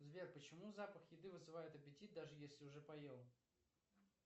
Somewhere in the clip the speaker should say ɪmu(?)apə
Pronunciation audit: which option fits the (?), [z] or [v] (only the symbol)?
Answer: z